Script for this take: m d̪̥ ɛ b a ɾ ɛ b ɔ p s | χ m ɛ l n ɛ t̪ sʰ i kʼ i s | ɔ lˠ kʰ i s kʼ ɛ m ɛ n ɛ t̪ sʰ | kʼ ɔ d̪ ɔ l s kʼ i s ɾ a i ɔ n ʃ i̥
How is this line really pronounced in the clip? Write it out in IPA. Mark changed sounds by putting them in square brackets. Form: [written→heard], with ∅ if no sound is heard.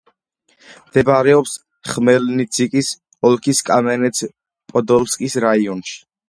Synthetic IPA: m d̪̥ ɛ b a ɾ ɛ [b→∅] ɔ p s | χ m ɛ l n [ɛ→i] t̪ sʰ i kʼ i s | ɔ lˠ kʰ i s kʼ [ɛ→a] m ɛ n ɛ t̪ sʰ | [kʼ→pʼ] ɔ d̪ ɔ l s kʼ i s ɾ a i ɔ n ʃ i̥